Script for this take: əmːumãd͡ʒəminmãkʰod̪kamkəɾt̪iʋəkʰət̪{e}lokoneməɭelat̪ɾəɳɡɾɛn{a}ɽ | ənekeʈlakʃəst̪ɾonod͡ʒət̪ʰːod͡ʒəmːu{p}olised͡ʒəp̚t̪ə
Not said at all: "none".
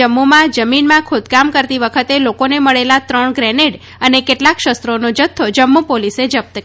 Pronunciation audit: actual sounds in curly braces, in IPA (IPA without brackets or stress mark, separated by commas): e, e, p